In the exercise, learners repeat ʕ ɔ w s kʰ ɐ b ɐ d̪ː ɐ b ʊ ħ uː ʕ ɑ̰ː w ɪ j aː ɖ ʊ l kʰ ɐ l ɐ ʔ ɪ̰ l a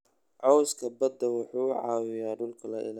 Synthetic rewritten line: ʕ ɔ w s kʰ ɐ b ɐ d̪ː ɐ w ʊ ħ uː ʕ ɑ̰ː w ɪ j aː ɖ ʊ l kʰ ɐ l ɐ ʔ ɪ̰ l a